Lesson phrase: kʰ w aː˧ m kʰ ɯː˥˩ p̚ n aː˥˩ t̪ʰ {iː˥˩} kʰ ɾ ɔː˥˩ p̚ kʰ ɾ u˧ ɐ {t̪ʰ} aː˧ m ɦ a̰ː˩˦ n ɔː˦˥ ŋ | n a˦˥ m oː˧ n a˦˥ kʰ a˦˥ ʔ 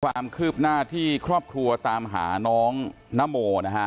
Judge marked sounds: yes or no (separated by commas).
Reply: yes, no